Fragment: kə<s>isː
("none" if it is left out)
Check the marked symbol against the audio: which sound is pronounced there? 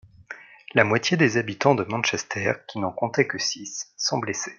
s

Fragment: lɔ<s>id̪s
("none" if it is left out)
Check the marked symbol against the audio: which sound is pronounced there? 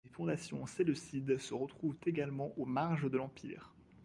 s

